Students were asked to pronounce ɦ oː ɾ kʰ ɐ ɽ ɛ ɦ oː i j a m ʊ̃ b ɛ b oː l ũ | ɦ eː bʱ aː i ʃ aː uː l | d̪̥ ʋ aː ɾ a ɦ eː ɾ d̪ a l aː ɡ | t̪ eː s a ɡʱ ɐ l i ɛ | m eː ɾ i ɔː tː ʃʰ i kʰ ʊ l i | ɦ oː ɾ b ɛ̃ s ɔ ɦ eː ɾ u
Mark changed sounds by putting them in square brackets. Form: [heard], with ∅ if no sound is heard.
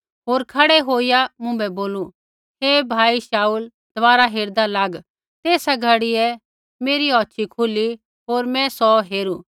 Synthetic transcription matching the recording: ɦ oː ɾ kʰ ɐ ɽ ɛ ɦ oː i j a m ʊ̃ b ɛ b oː l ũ | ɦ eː bʱ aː i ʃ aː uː l | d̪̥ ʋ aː ɾ a ɦ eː ɾ d̪ a l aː ɡ | t̪ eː s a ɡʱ ɐ [ɽ] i ɛ | m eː ɾ i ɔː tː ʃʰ i kʰ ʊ l i | ɦ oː ɾ [m] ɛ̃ s ɔ ɦ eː ɾ u